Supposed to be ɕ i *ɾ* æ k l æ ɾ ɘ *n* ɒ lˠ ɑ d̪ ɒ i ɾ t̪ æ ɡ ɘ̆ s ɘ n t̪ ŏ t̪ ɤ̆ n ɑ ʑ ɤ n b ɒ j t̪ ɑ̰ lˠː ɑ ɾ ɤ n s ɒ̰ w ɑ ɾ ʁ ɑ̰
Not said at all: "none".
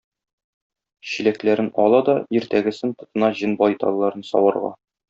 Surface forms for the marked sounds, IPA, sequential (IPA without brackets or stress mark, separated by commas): l, n